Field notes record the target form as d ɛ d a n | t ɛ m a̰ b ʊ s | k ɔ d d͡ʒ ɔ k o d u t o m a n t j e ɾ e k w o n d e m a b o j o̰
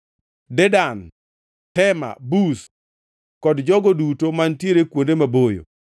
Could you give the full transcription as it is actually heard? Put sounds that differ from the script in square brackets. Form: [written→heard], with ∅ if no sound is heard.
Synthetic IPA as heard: d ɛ d a n | t ɛ m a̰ b [ʊ→u] s | k ɔ d d͡ʒ ɔ [k→ɡ] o d u t o m a n t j e ɾ e k w o n d e m a b o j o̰